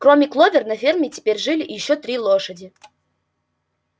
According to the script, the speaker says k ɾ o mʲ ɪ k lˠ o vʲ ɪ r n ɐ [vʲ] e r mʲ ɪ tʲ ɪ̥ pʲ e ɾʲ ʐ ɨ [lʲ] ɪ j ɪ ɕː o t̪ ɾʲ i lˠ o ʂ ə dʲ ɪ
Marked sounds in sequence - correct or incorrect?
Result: incorrect: fʲ, correct

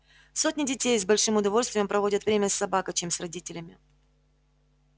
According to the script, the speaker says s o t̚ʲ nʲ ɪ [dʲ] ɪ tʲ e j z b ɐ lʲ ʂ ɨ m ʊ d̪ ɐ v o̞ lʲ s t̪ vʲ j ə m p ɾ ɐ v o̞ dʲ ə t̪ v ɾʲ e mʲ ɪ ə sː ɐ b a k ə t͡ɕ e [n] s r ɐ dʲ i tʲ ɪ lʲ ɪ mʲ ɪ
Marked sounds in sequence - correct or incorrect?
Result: correct, incorrect: m

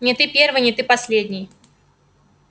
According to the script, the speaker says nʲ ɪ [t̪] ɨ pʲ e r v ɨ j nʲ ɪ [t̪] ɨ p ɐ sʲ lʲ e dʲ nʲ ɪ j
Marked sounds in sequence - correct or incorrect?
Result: correct, correct

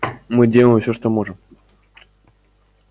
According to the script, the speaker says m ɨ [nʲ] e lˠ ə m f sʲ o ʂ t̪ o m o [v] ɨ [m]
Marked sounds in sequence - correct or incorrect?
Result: incorrect: dʲ, incorrect: ʐ, correct

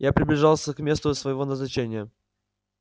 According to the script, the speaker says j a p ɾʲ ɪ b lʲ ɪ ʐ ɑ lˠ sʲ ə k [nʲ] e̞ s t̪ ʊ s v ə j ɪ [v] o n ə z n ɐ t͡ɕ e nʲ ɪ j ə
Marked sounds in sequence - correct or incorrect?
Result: incorrect: mʲ, correct

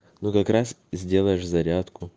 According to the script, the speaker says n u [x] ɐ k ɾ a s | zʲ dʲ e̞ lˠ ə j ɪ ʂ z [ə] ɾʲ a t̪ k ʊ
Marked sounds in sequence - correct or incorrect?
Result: incorrect: k, incorrect: ɐ

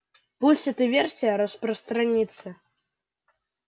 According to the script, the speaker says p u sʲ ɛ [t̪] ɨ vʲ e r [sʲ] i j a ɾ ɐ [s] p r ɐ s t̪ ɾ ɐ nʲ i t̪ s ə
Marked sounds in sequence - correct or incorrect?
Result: correct, correct, correct

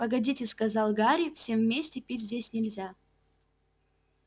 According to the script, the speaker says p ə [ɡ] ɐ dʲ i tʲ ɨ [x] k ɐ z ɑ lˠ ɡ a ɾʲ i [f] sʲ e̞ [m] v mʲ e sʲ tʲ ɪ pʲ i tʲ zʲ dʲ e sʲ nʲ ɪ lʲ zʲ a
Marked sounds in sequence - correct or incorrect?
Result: correct, incorrect: s, correct, correct

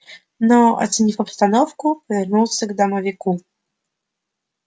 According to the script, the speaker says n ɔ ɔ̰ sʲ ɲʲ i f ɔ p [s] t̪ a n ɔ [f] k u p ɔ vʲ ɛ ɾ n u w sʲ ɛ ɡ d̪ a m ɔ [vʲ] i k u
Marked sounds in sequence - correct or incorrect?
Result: correct, correct, correct

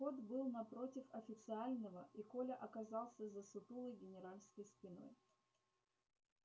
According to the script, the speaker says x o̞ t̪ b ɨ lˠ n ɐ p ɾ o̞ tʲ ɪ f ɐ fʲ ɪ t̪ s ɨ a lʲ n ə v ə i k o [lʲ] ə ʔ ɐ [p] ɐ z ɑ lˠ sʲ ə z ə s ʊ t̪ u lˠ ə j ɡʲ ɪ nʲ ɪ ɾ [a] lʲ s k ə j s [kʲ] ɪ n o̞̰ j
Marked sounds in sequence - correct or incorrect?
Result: correct, incorrect: k, correct, incorrect: pʲ

